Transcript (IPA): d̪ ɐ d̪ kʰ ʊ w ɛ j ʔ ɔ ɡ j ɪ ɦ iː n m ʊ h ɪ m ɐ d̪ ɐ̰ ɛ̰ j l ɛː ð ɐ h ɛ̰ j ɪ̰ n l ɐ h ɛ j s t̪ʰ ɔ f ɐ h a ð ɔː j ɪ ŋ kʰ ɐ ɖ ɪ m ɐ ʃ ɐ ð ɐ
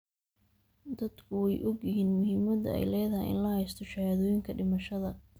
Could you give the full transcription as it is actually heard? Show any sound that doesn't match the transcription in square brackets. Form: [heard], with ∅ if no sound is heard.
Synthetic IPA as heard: d̪ ɐ d̪ kʰ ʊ w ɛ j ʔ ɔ ɡ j ɪ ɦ iː n m ʊ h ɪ m ɐ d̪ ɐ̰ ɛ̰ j l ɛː ð ɐ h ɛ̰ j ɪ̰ n l ɐ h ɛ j s t̪ʰ ɔ [ʃ] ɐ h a ð ɔː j ɪ ŋ kʰ ɐ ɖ ɪ m ɐ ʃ ɐ ð ɐ